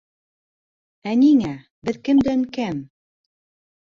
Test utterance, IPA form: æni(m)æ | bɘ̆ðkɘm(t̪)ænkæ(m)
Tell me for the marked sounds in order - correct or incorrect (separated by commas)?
incorrect, incorrect, correct